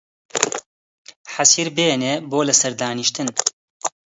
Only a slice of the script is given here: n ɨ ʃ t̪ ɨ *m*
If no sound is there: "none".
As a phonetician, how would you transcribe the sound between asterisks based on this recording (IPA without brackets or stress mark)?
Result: n